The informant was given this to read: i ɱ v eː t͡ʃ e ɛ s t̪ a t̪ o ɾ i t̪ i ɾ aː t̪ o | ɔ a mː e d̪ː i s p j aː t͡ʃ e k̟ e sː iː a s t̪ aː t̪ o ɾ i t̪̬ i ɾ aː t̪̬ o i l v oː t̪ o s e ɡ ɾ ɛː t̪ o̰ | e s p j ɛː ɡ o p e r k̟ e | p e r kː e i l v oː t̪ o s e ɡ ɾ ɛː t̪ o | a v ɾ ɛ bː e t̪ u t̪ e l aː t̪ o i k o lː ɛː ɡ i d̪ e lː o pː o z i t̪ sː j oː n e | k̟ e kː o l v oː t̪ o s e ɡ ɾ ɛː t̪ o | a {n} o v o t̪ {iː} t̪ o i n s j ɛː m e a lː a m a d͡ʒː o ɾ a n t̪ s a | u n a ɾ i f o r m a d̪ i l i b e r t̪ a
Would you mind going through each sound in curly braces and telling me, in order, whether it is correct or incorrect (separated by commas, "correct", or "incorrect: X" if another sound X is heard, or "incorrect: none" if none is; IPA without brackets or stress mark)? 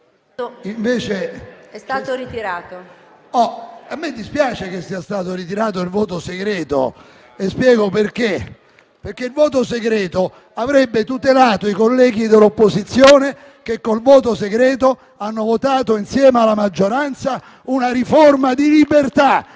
incorrect: nː, incorrect: aː